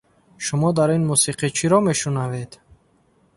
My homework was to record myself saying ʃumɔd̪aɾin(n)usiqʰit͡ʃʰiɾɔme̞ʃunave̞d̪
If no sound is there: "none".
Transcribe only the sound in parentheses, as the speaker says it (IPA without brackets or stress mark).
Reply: m